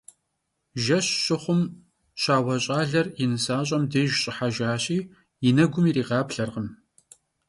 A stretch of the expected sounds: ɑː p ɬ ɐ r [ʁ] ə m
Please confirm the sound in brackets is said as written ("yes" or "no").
yes